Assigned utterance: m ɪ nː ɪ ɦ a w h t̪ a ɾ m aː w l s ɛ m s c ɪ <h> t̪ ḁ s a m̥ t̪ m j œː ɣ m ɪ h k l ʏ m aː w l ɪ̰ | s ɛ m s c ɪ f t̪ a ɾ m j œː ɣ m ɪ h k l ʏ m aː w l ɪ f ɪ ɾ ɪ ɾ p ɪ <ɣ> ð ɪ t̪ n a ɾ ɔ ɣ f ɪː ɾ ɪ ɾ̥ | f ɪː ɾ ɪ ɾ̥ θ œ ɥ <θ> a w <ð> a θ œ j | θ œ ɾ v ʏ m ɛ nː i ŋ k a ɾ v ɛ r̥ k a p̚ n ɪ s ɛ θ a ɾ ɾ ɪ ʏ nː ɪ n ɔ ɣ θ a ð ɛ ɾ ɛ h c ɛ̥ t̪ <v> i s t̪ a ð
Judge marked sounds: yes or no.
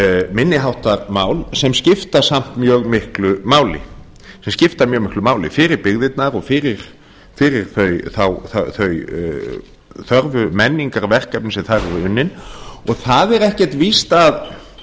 no, yes, yes, no, yes

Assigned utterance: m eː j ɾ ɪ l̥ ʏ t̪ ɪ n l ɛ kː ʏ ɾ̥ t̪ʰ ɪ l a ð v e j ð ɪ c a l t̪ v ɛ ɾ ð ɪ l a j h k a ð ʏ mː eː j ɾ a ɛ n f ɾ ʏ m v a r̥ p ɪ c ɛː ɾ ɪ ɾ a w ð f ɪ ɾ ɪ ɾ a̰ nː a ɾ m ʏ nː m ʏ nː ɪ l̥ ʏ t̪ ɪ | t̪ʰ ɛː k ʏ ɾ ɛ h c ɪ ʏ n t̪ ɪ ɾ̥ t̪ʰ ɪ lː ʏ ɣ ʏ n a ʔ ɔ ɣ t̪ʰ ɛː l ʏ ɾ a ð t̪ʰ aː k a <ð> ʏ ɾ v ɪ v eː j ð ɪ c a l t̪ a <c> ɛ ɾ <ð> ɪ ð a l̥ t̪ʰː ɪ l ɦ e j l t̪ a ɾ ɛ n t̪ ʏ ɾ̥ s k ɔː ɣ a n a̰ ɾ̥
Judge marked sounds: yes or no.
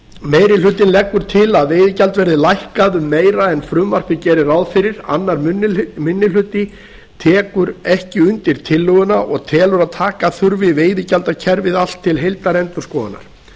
no, no, no

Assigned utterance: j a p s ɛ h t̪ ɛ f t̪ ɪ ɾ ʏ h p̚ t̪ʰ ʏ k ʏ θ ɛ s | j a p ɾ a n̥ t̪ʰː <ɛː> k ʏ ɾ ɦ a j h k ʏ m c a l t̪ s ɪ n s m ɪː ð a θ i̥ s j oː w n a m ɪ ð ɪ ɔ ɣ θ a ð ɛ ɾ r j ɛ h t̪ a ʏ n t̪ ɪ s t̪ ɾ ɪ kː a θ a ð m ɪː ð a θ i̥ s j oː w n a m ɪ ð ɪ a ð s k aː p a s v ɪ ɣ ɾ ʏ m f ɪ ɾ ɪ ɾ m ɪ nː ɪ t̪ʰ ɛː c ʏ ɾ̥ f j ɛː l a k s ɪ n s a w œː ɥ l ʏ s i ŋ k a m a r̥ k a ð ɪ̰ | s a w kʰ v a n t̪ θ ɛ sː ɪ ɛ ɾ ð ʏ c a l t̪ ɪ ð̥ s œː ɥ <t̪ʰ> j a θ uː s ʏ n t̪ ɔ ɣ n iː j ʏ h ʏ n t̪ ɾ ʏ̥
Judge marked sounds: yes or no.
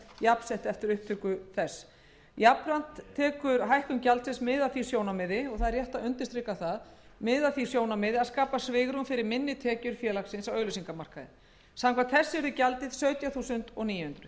yes, no

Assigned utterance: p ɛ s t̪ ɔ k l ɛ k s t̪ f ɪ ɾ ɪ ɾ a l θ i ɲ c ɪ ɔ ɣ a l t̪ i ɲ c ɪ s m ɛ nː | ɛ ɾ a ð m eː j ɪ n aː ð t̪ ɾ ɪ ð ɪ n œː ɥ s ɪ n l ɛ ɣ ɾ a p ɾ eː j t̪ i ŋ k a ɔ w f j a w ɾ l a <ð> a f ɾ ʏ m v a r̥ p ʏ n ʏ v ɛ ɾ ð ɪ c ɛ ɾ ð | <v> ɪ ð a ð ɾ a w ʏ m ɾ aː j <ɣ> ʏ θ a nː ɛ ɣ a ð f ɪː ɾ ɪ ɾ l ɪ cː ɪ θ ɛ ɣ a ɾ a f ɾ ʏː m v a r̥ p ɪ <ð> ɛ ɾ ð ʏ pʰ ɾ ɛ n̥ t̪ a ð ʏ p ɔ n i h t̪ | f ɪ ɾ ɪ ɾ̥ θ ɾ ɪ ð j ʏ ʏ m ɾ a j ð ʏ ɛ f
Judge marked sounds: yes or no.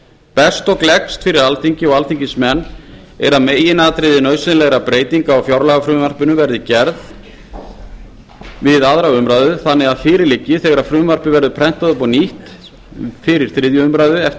no, yes, no, no

